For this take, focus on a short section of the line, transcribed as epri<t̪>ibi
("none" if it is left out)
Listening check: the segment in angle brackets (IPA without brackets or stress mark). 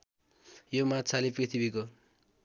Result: t̪ʰ